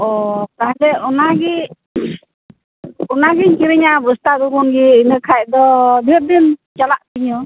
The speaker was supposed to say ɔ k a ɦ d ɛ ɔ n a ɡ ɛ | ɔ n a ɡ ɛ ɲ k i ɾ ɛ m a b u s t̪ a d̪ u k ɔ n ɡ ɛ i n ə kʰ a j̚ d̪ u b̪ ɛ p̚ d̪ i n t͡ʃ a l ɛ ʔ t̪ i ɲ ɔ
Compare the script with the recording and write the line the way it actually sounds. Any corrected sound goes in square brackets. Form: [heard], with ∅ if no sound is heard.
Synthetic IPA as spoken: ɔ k a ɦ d ɛ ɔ n a ɡ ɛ | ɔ n a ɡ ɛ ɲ k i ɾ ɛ [ɲ] a b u s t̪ a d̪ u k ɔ n ɡ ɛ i n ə kʰ a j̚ d̪ [ɔ] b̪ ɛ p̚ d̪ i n t͡ʃ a l [a] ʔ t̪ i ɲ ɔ